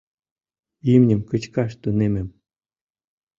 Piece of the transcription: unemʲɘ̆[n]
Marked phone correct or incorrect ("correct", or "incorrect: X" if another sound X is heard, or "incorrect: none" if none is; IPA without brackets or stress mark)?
incorrect: m